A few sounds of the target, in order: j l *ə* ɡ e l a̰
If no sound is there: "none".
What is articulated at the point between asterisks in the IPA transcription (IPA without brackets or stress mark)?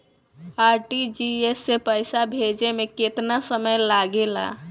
a